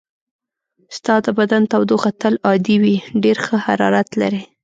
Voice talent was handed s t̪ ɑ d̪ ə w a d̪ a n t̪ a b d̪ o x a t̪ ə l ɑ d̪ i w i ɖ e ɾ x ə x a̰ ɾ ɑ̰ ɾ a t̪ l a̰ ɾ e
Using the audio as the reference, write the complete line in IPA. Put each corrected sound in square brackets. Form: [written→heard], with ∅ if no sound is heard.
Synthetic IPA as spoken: s t̪ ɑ d̪ ə [w→b] a d̪ a n t̪ a [b→w] d̪ o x a t̪ ə l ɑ d̪ i w i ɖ e ɾ x ə [x→h] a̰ ɾ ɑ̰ ɾ a t̪ l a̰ ɾ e